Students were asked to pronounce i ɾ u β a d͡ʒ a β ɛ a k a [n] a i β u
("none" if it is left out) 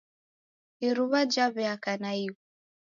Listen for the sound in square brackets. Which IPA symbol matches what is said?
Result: n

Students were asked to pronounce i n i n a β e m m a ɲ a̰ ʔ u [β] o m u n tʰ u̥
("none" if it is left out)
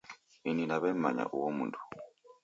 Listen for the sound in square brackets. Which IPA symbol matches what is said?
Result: w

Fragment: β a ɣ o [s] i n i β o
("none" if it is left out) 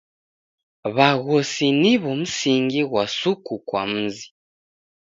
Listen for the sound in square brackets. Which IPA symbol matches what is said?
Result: s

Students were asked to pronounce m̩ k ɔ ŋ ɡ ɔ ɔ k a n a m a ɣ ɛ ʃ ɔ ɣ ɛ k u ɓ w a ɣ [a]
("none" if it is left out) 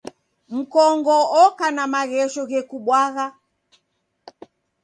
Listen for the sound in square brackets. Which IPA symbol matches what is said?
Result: a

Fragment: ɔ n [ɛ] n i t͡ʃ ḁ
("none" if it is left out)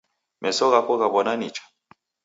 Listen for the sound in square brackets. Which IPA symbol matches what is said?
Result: a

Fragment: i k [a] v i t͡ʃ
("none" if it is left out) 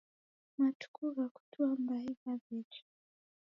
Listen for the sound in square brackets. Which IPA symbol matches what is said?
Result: a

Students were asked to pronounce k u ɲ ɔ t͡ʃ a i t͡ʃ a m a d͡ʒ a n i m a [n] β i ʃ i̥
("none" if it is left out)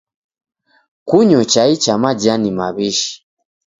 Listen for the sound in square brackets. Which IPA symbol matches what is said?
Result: none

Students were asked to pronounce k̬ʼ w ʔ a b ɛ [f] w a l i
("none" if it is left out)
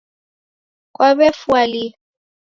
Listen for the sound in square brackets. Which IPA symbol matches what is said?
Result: f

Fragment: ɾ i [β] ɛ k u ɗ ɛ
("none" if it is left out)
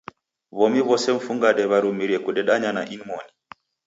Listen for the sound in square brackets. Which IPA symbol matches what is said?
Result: none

